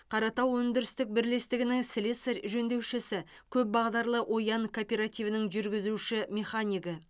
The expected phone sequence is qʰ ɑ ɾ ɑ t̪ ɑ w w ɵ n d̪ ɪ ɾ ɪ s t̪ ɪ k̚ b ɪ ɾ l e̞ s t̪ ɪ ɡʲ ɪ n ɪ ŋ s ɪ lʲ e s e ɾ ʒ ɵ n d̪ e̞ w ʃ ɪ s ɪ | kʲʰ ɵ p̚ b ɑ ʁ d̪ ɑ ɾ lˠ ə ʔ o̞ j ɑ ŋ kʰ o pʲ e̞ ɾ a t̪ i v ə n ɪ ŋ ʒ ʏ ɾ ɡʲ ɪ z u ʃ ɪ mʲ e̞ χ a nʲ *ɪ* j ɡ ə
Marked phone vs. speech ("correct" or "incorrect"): incorrect